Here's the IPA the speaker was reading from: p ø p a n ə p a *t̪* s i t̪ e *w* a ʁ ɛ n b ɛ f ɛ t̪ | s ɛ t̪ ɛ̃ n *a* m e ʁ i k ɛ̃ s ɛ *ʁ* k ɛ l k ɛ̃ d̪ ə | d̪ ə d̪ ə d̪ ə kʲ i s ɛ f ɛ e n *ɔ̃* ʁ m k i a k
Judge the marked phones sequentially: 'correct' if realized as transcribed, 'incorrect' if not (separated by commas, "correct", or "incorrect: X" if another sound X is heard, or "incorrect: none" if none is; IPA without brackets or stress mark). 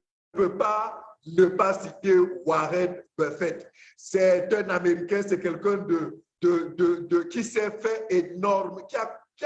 incorrect: none, correct, correct, incorrect: none, incorrect: ɔ